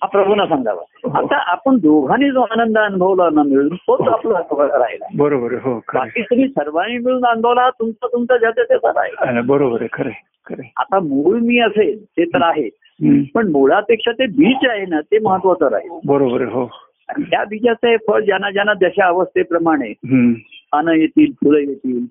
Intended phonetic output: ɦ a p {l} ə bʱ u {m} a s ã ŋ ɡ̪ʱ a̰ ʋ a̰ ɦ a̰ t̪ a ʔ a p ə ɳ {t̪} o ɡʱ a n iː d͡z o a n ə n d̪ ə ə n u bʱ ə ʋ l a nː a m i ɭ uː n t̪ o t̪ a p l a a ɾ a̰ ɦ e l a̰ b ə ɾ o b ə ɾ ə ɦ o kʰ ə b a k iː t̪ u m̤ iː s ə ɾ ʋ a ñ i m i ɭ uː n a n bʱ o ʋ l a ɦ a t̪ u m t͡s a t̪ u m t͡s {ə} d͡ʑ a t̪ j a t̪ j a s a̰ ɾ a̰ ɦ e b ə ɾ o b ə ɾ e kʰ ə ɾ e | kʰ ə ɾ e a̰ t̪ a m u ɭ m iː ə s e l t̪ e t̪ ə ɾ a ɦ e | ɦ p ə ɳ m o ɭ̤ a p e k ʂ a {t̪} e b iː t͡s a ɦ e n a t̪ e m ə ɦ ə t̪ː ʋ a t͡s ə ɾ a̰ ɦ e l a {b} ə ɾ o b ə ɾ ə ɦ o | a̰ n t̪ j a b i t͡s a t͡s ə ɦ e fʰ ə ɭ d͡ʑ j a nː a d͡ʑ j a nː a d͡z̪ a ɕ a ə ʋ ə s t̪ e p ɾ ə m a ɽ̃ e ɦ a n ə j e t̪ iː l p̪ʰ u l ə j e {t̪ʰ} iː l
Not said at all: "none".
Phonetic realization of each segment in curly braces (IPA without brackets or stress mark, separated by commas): ɾ, n, d̪, a, t̪, b, t̪